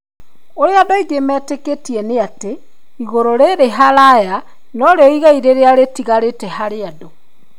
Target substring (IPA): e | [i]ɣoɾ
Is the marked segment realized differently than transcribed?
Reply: no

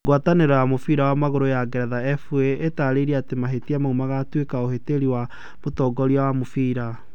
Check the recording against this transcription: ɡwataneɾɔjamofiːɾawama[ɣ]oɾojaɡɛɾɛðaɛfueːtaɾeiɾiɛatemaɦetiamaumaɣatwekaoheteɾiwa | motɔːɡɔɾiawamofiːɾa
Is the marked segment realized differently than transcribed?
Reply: no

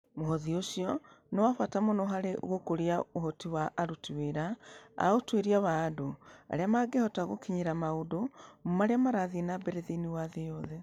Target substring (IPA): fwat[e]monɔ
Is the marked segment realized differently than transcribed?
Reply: yes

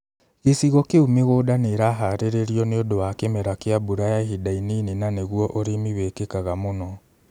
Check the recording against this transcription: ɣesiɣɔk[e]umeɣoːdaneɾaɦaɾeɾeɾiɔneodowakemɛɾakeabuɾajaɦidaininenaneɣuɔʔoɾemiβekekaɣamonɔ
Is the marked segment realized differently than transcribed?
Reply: no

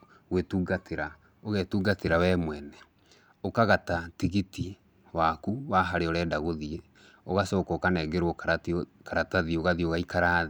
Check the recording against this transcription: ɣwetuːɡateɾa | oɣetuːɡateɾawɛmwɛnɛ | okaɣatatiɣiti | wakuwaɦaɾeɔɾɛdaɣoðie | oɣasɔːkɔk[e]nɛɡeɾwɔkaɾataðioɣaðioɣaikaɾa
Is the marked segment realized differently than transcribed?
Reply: yes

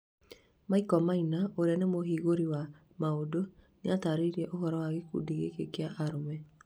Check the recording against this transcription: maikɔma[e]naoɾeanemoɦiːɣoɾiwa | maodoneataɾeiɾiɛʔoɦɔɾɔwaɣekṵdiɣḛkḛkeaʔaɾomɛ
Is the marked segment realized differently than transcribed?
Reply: yes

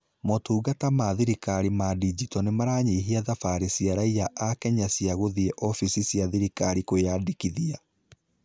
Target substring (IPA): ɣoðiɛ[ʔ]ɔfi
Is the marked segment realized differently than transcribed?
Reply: no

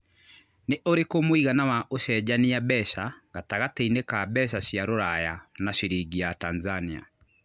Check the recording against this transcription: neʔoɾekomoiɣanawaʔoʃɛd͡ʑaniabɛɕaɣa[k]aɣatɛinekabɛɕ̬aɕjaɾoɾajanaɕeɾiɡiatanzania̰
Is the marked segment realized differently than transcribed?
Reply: yes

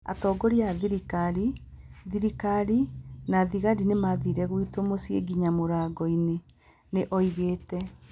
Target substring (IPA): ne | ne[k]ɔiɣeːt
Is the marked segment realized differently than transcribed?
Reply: yes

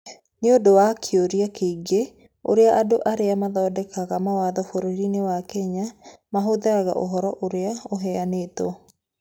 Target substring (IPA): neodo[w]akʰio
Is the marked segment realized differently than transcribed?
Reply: no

